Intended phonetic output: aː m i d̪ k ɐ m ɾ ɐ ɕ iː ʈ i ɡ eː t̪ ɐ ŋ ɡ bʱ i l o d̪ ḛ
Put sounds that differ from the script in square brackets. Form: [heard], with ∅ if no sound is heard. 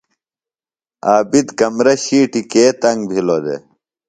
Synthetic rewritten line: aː [b] i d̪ k ɐ m ɾ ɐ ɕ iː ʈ i [k] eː t̪ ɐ ŋ ɡ bʱ i l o d̪ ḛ